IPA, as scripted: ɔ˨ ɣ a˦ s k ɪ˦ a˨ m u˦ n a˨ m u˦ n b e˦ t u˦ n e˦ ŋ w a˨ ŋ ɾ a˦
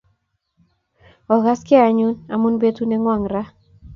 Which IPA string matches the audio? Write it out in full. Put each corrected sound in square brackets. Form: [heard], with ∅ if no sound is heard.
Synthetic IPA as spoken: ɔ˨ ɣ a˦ s k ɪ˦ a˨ [ɲ] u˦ n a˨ m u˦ n b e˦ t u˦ n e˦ ŋ w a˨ ŋ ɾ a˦